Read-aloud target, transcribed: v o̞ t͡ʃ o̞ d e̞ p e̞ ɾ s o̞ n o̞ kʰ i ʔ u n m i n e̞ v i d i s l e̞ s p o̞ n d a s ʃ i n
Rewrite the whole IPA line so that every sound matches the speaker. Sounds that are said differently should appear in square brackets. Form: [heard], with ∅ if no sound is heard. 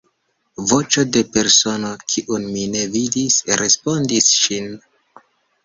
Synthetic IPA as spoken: v o̞ t͡ʃ o̞ d e̞ p e̞ ɾ s o̞ n o̞ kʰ i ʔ u n m i n e̞ v i d i s [ɾ] e̞ s p o̞ n d [i] s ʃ i n